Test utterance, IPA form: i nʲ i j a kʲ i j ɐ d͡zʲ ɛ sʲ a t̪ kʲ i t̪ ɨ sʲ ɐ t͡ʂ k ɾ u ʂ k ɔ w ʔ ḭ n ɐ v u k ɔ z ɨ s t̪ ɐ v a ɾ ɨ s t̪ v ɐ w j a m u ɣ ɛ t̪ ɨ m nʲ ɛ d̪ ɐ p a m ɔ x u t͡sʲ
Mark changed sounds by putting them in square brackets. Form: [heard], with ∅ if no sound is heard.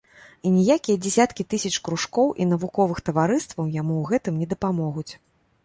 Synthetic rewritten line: i nʲ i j a kʲ i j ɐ d͡zʲ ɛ sʲ a t̪ kʲ i t̪ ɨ sʲ ɐ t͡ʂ k ɾ u ʂ k ɔ w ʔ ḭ n ɐ v u k ɔ [v] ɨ [x] t̪ ɐ v a ɾ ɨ s t̪ v ɐ w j a m u ɣ ɛ t̪ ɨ m nʲ ɛ d̪ ɐ p a m ɔ [ɣ] u t͡sʲ